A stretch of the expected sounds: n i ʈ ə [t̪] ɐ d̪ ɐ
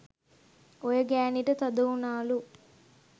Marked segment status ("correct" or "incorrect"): correct